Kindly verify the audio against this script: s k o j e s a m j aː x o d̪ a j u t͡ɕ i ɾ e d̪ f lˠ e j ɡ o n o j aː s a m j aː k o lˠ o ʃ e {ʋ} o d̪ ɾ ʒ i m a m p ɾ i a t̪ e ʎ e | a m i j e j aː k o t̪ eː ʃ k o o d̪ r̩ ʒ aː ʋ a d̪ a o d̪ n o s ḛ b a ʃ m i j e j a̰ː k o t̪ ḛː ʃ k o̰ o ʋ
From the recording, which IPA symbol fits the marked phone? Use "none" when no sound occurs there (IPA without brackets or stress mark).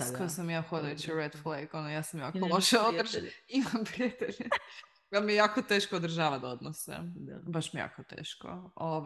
none